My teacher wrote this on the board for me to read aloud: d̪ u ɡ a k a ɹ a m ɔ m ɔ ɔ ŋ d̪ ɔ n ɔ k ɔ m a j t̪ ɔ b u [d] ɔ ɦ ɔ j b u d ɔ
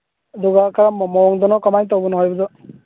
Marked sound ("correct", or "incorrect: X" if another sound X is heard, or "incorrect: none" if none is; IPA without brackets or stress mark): incorrect: n